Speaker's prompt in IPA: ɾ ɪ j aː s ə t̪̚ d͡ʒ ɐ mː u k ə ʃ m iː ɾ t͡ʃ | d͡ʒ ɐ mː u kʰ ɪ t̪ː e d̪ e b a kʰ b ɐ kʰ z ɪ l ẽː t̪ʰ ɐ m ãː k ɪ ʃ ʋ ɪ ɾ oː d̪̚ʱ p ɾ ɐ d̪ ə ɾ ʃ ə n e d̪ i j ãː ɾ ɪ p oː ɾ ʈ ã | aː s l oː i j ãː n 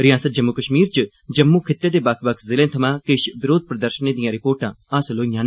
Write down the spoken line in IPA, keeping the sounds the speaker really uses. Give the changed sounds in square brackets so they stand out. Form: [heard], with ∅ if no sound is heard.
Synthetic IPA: ɾ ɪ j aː s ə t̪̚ d͡ʒ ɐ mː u k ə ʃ m iː ɾ t͡ʃ | d͡ʒ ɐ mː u kʰ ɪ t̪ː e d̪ e b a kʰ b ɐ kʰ z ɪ l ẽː t̪ʰ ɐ m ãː k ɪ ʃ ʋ ɪ ɾ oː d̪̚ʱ p ɾ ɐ d̪ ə ɾ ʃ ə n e d̪ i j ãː ɾ ɪ p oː ɾ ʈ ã | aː s l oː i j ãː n